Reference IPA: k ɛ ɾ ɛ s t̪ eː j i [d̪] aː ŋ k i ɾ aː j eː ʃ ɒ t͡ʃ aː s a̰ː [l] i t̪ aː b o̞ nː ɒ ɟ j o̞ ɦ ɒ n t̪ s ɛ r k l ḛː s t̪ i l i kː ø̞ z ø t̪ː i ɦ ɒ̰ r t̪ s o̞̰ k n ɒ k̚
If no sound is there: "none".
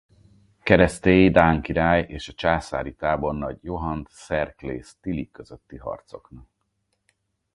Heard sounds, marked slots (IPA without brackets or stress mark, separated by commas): d̪, ɾ